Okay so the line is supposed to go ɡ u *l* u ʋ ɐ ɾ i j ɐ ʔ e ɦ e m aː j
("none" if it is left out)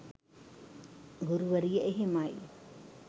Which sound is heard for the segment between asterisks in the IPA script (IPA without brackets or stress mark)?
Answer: ɾ